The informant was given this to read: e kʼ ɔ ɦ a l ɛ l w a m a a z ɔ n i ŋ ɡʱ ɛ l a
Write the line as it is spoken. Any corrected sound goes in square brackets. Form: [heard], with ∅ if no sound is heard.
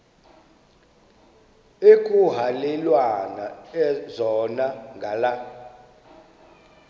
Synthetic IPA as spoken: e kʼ [u] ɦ a l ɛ l w a [n] a [ɛ] z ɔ n [a] ŋ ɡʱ [a] l a